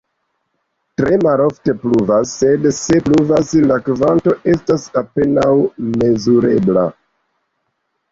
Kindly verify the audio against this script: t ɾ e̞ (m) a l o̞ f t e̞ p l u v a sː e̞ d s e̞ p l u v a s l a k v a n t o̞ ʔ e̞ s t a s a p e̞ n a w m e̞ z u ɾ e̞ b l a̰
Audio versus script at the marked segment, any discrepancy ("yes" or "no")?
no